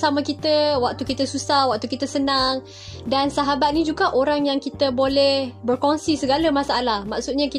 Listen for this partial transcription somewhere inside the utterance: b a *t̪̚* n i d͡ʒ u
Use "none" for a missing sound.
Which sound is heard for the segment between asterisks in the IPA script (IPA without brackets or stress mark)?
t̪̚